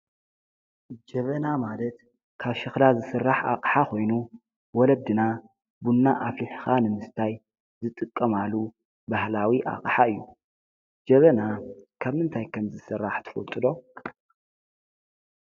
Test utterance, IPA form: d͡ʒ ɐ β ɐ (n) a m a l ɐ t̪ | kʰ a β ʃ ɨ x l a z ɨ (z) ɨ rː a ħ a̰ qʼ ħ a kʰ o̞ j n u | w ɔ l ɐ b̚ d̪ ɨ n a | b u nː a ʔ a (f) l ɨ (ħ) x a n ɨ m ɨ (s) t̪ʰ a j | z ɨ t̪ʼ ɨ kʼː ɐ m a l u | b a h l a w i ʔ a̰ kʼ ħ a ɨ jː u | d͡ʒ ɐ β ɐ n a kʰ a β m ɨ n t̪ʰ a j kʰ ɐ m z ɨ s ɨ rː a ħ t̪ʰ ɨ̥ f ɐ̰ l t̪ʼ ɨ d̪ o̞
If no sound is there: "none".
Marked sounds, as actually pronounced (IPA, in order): n, s, f, ħ, s

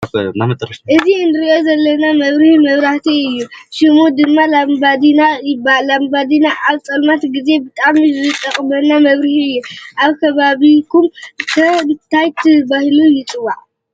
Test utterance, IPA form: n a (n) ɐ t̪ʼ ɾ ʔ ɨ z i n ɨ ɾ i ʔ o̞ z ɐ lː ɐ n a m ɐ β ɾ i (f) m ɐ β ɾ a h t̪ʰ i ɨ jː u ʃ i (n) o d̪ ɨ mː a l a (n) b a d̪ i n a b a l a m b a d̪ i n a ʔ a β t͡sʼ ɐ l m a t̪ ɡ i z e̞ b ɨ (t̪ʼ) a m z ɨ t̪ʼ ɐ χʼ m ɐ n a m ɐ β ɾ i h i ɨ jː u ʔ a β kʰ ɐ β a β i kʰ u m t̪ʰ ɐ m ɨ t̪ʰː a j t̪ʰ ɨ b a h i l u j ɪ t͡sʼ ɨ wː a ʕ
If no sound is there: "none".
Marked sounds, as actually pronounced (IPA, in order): m, h, m, m, t̪ʼ

